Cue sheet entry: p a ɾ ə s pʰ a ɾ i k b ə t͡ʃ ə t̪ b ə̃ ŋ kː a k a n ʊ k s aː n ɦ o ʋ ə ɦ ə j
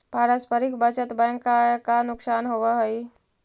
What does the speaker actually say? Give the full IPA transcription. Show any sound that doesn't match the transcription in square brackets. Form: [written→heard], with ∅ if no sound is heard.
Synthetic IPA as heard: p a ɾ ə s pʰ [a→ə] ɾ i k b ə t͡ʃ ə t̪ b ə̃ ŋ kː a k a n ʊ k s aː n ɦ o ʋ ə ɦ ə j

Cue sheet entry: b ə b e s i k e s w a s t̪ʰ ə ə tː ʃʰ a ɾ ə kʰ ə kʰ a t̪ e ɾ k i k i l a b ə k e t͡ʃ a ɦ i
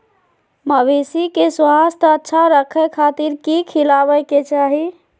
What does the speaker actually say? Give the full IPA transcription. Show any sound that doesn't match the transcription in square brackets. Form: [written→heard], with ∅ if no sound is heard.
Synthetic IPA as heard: [b→m] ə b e s i k e s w a s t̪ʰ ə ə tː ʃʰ a ɾ ə kʰ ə kʰ a t̪ [e→i] ɾ k i [k→kʰ] i l a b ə k e t͡ʃ a ɦ i

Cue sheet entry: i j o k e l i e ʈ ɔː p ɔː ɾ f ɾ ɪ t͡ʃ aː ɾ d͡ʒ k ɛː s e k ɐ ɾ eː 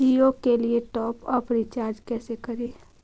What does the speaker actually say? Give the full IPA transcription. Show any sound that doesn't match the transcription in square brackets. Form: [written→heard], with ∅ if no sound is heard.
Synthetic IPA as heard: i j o k e l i e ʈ ɔː p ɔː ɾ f ɾ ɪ t͡ʃ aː ɾ d͡ʒ k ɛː s e k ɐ ɾ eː

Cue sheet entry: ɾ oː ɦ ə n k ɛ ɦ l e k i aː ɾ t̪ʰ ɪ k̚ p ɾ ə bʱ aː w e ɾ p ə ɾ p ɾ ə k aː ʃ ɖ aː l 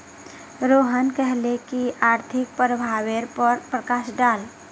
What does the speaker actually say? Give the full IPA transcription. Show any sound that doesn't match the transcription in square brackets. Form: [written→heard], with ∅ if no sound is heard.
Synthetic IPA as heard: ɾ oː ɦ ə n k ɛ ɦ l e k i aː ɾ t̪ʰ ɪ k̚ p ɾ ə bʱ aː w e ɾ p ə ɾ p ɾ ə k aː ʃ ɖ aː l

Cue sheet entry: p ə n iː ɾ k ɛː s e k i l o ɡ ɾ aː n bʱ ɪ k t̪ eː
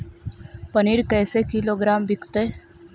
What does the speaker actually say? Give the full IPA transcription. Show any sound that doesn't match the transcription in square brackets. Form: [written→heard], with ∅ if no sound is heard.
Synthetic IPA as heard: p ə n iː ɾ k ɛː s e k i l o ɡ ɾ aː [n→m] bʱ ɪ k t̪ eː

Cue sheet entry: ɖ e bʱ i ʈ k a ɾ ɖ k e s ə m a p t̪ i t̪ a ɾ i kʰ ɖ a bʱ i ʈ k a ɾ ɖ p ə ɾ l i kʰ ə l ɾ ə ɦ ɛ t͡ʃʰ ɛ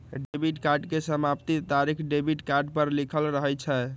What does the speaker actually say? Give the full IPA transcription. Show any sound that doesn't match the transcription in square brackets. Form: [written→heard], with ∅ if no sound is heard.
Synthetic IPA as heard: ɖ e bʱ i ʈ k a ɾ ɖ k e s ə m a p t̪ i t̪ a ɾ i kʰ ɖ [a→e] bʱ i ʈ k a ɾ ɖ p ə ɾ l i kʰ ə l ɾ ə ɦ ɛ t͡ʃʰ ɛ

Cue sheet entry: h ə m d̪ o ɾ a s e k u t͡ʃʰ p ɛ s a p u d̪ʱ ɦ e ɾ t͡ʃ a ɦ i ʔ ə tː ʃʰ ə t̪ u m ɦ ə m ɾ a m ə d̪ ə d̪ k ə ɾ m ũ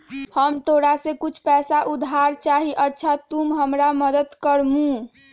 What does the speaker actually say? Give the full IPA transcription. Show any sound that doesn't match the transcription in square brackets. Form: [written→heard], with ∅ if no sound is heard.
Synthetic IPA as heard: h ə m [d̪→t̪] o ɾ a s e k u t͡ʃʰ p ɛ s a [p→ʔ] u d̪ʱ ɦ [e→a] ɾ t͡ʃ a ɦ i ʔ ə tː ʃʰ [ə→a] t̪ u m ɦ ə m ɾ a m ə d̪ ə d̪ k ə ɾ m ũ

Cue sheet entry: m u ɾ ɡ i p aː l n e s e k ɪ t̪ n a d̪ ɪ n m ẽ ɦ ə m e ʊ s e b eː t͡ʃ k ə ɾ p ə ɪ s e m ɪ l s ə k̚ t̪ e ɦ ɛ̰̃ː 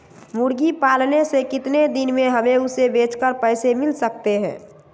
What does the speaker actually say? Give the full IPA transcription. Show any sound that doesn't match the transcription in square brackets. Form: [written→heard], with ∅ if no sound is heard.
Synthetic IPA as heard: m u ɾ ɡ i p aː l n e s e k ɪ t̪ n [a→e] d̪ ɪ n m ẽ ɦ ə m e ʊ s e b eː t͡ʃ k ə ɾ p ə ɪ s e m ɪ l s ə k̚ t̪ e ɦ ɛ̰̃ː

